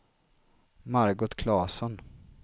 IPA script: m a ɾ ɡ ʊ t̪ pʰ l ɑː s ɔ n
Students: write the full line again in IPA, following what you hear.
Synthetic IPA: m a ɾ ɡ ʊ t̪ kʰ l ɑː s ɔ n

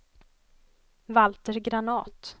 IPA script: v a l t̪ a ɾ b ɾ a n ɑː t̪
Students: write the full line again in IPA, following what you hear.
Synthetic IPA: v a l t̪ ə ɾ ɡ ɾ a n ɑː t̪

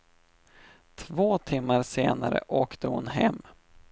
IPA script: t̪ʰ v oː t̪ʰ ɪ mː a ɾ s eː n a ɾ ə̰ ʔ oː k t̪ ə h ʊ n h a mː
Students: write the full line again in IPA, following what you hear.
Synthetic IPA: t̪ʰ v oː t̪ʰ ɪ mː a ɾ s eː n a ɾ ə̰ ʔ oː k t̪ ə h ʊ n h ɛ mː

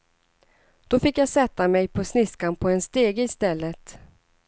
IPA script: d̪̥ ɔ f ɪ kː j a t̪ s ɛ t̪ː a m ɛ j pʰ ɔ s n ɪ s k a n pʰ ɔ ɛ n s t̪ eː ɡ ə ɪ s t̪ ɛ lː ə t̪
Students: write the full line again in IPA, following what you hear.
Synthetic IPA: d̪̥ ɔ f ɪ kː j a s ɛ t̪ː a m ɛ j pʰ ɔ s n ɪ s k a n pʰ ɔ ɛ n s t̪ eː ɡ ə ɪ s t̪ ɛ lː ə t̪

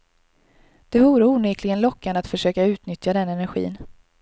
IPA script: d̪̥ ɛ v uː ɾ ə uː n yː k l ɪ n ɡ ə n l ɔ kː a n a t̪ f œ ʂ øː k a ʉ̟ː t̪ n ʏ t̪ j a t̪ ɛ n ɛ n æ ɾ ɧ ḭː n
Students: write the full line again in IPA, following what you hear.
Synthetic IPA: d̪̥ ɛ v uː ɾ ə uː n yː k l ɪ ɡ ə n l ɔ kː a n a t̪ f œ ʂ øː k a ʉ̟ː t̪ n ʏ t̪ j a d̪ ɛ n ɛ n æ ɾ ɧ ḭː n

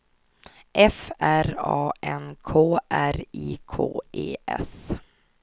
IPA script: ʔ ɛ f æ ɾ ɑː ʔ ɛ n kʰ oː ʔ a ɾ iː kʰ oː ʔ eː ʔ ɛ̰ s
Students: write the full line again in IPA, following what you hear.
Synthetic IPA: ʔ ɛ f æ ɾ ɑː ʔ ɛ n kʰ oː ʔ æ ɾ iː kʰ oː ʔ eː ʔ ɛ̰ s

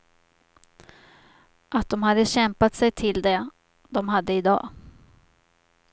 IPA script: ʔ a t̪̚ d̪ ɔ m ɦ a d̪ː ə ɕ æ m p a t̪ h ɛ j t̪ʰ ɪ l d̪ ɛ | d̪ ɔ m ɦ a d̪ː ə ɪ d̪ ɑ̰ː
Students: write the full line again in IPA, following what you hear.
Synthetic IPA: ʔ a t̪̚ d̪ ɔ m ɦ a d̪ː ə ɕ ɛ m p a t̪ s ɛ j t̪ʰ ɪ l d̪ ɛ | d̪ ɔ m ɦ a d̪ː ə ɪ d̪ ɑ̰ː

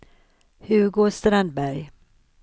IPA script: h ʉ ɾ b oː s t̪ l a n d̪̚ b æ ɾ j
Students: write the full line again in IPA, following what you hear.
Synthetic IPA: h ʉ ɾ ɡ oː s t̪ ɾ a n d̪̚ b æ ɾ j

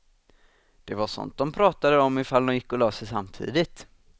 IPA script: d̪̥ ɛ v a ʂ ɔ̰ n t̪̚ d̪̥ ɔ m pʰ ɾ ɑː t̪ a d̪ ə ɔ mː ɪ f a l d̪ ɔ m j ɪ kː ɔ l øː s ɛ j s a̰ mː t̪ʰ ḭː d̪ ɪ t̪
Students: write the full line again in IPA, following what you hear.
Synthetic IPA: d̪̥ ɛ v a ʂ ɔ̰ n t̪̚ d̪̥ ɔ m pʰ ɾ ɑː t̪ a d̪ ə ɔ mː ɪ f a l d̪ ɔ m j ɪ kː ɔ l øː s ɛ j s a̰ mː t̪ʰ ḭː d̪ ɪ t̪

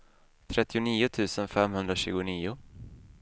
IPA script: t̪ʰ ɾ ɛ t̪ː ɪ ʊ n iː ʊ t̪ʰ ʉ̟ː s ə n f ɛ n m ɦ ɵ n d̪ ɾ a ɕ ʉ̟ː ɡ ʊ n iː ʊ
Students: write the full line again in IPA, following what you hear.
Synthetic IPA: t̪ʰ ɾ ɛ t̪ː ɪ ʊ n iː ʊ t̪ʰ ʉ̟ː s ə n f ɛ m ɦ ɵ n d̪ ɾ a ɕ ʉ̟ː ɡ ʊ n iː ʊ

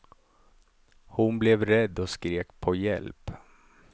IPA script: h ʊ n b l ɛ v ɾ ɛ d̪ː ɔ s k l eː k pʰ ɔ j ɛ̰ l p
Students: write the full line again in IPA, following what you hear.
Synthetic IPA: h ʊ n b l ɛ v ɾ ɛ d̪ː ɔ s k ɾ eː k pʰ ɔ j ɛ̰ l p

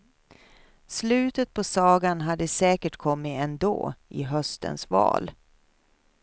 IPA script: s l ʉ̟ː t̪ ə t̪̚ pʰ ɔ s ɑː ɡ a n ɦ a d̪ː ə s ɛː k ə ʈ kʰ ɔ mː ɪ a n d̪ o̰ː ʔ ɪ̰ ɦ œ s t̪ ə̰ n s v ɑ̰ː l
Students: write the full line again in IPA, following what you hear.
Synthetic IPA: s l ʉ̟ː t̪ ə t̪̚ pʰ ɔ s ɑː ɡ a n ɦ a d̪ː ə s ɛː k ə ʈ kʰ ɔ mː ɪ ɛ n d̪ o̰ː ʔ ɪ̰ ɦ œ s t̪ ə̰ n s v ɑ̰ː l

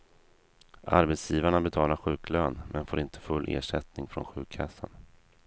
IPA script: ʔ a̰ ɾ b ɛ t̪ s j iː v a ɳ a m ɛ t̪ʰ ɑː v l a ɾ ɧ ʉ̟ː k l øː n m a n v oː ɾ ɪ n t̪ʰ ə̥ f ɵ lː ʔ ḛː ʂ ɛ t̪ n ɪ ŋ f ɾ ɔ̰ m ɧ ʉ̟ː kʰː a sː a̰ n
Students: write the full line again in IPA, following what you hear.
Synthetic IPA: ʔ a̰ ɾ b ɛ t̪ s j iː v a ɳ a b ɛ t̪ʰ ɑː l a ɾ ɧ ʉ̟ː k l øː n m ɛ n f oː ɾ ɪ n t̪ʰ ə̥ f ɵ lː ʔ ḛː ʂ ɛ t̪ n ɪ ŋ f ɾ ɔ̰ n ɧ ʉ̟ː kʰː a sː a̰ n

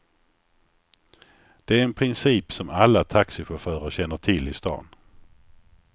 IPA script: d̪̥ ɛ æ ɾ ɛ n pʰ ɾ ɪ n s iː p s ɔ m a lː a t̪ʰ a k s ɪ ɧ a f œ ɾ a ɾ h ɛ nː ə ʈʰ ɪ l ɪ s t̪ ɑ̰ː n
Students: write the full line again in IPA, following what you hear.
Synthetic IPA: d̪̥ ɛ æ ɾ ɛ n pʰ ɾ ɪ n s iː p s ɔ m a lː a t̪ʰ a k s ɪ ɧ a f œː ɾ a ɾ ɕ ɛ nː ə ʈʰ ɪ l ɪ s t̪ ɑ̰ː n

